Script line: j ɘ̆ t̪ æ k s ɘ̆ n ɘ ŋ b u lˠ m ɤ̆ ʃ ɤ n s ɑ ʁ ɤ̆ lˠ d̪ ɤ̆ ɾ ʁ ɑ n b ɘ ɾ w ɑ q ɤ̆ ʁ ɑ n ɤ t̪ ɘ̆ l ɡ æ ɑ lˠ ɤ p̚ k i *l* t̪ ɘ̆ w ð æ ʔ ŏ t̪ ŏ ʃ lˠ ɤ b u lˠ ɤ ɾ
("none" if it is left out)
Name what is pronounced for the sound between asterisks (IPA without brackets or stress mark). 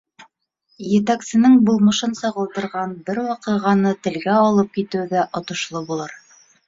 none